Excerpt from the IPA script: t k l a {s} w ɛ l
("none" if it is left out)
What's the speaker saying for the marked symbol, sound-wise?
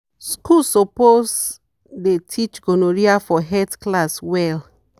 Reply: s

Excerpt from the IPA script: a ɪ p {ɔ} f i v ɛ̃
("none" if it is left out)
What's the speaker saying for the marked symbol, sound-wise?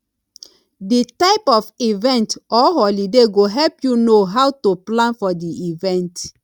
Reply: ɔ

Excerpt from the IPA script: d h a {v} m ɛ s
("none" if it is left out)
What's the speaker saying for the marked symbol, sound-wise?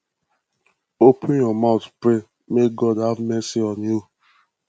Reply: v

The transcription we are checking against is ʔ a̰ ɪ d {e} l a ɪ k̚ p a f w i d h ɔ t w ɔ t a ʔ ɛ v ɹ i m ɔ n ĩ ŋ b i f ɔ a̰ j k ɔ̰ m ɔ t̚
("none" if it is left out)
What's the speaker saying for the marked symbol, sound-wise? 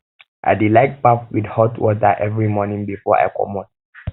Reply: i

